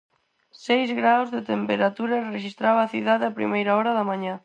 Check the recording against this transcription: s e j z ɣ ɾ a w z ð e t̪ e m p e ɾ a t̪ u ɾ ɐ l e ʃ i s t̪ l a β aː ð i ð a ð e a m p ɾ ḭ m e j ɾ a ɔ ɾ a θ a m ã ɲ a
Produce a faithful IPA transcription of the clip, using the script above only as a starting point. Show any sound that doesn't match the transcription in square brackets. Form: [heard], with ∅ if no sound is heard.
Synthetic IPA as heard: s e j z ɣ ɾ a w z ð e t̪ e m p e ɾ a t̪ u ɾ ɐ [r] e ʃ i s t̪ [ɾ] a β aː [θ] i ð a ð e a [∅] p ɾ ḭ m e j ɾ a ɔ ɾ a [ð] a m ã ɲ a